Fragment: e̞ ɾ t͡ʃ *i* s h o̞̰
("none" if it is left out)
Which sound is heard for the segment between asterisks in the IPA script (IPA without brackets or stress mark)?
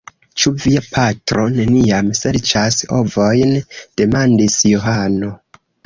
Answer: a